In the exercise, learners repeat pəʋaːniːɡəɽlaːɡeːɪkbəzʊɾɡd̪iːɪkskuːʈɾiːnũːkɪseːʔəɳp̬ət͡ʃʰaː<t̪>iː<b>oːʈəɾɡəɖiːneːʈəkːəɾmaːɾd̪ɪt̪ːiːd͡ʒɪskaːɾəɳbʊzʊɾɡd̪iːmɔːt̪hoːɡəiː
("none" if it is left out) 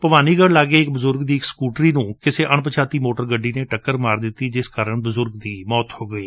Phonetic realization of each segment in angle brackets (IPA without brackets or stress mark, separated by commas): t̪, m